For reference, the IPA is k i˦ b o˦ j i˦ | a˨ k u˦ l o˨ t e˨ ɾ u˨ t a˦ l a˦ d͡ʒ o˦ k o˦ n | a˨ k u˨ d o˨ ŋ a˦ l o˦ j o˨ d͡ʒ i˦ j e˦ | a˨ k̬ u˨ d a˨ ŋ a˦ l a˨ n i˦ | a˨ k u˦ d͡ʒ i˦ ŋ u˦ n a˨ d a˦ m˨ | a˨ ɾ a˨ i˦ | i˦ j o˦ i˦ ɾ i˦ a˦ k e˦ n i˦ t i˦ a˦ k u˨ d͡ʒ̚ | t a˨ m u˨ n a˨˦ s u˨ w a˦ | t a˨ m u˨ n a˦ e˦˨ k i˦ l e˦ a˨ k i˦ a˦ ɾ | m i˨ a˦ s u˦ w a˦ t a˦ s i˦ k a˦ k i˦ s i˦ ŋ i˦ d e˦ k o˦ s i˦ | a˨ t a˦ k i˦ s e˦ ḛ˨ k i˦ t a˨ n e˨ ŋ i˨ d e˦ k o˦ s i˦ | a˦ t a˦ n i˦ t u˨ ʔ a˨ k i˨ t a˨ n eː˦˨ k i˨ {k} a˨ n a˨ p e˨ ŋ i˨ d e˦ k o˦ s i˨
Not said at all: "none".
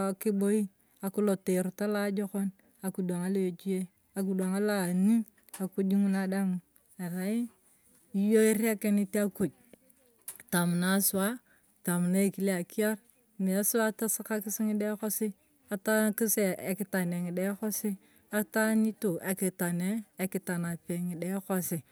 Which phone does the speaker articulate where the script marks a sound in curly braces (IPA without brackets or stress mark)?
t